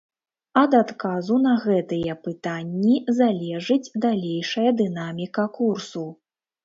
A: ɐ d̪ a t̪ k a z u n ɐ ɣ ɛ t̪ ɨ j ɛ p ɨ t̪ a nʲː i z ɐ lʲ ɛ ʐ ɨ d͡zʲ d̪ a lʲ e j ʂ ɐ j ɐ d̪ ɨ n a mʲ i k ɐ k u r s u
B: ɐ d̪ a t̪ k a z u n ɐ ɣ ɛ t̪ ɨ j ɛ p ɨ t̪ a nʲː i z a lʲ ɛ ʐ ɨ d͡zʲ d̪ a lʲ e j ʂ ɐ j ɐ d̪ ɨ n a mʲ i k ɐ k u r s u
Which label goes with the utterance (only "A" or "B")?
B